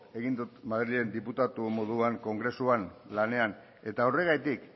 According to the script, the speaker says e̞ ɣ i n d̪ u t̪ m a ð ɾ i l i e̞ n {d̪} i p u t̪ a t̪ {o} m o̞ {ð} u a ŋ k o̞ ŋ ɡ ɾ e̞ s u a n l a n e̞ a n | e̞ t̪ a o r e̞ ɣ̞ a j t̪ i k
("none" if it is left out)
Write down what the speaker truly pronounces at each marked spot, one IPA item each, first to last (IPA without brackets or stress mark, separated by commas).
d̪, u, ð